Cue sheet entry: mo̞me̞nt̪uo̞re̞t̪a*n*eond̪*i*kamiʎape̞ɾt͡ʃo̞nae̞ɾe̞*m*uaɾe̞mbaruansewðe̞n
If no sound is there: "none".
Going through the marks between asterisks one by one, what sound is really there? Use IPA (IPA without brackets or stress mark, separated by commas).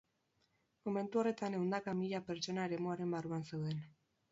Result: n, a, m